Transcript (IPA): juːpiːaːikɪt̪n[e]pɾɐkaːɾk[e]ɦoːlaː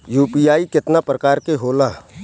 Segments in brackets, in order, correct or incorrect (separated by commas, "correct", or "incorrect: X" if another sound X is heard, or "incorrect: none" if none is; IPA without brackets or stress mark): incorrect: a, correct